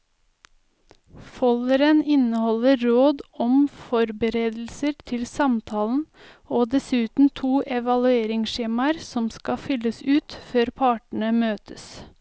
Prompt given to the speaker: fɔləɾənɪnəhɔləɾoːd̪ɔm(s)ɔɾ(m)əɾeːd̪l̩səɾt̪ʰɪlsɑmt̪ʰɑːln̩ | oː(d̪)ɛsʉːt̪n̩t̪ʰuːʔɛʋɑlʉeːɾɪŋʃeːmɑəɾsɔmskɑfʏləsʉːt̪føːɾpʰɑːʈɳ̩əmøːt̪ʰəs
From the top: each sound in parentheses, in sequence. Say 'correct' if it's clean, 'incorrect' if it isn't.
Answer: incorrect: f, incorrect: b, correct

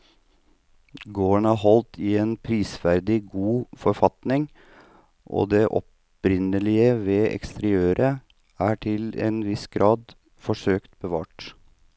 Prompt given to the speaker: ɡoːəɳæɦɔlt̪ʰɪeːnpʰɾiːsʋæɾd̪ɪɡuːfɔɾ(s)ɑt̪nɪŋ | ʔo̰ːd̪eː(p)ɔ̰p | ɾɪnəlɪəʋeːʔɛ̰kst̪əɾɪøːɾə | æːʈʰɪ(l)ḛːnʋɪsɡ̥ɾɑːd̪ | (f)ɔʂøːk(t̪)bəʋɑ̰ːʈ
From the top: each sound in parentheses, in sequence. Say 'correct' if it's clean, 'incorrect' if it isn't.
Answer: incorrect: f, incorrect: ʔ, correct, correct, correct

